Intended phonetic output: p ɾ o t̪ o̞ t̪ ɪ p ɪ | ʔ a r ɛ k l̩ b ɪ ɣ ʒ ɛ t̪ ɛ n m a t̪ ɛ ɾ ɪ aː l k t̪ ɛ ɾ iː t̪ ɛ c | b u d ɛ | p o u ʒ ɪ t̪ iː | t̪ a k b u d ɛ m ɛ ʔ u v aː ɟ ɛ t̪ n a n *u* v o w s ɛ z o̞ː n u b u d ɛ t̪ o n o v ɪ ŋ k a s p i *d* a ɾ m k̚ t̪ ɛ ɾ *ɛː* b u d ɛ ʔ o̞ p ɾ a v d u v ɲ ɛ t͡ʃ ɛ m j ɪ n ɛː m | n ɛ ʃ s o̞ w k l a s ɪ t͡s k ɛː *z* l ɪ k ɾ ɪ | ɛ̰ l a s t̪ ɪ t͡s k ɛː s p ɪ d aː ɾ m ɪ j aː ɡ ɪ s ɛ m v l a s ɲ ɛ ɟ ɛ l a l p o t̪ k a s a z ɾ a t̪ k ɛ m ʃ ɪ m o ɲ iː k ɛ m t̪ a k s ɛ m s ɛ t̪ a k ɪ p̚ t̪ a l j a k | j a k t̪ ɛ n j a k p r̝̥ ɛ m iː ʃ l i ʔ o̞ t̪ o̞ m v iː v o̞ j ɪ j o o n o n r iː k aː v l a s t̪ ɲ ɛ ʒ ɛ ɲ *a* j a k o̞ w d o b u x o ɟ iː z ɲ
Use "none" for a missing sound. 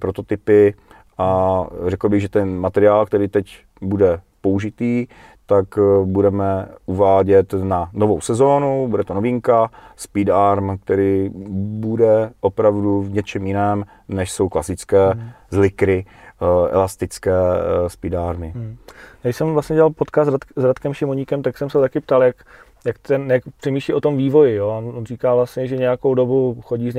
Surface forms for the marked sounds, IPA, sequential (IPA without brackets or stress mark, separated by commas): o, d, iː, z, ɛ